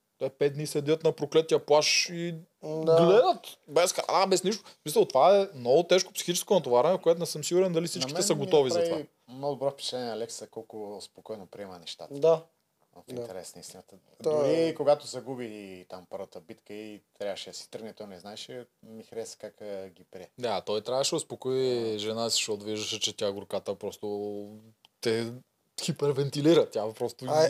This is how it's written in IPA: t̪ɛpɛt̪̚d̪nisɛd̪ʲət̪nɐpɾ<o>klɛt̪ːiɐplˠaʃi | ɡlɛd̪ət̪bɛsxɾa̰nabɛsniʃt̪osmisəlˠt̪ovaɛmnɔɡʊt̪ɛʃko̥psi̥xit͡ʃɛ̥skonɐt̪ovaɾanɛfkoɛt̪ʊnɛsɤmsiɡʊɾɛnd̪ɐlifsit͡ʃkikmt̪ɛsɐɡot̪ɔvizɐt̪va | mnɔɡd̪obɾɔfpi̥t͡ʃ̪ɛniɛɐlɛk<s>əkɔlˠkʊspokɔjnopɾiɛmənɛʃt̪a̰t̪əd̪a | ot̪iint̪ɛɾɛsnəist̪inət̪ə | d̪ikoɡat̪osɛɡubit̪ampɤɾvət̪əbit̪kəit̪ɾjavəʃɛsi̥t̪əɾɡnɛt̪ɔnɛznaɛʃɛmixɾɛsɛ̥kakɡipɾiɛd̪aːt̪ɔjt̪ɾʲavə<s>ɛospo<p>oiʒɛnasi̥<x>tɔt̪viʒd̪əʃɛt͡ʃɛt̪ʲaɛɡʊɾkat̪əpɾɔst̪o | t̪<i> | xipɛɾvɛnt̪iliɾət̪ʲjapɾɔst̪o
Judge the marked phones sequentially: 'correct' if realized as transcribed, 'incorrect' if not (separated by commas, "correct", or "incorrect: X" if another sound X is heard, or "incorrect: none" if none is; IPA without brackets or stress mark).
correct, correct, incorrect: ʃ, incorrect: k, incorrect: ʃ, incorrect: ɛ